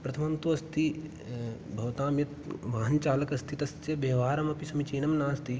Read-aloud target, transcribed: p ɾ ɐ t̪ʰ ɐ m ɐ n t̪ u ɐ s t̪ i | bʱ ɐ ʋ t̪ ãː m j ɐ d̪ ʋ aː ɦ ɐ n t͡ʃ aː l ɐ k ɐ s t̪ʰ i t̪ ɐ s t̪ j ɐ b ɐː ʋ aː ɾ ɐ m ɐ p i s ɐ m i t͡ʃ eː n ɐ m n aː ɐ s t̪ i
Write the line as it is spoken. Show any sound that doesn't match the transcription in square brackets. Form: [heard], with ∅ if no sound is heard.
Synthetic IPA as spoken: p ɾ ɐ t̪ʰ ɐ m ɐ n t̪ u ɐ s t̪ i | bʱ ɐ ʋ t̪ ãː m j ɐ [t̪] ʋ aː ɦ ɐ n t͡ʃ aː l ɐ k ɐ s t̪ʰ i t̪ ɐ s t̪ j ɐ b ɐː ʋ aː ɾ ɐ m ɐ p i s ɐ m i t͡ʃ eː n ɐ m n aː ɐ s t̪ i